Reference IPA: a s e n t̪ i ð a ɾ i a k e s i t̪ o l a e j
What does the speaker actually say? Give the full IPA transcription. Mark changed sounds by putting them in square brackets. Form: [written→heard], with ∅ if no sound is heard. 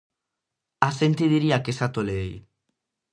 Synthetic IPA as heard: a s e n t̪ i ð [a→i] ɾ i a k e s [i→a] t̪ o l [a→e] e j